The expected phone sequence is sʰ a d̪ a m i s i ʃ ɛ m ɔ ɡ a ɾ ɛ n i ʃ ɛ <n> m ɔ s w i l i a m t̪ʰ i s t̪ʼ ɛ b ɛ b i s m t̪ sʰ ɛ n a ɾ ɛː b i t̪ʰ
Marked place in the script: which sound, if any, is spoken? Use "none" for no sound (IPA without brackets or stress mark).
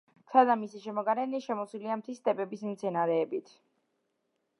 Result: none